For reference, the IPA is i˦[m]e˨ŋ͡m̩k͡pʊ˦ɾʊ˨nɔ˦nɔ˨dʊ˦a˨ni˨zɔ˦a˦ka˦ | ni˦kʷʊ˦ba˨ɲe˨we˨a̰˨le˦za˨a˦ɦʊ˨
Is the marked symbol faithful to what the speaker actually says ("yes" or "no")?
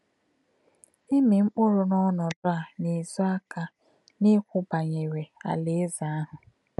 yes